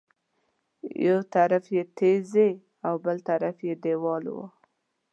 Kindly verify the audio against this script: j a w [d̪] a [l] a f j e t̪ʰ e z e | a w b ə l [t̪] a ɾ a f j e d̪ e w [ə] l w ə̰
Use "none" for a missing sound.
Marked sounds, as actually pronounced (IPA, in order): t̪, ɾ, t̪, ɑ

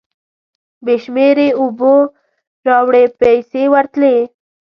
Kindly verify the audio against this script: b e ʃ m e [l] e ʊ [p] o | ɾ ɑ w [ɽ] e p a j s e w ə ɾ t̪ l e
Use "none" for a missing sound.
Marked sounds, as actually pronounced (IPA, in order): ɾ, b, ɽ

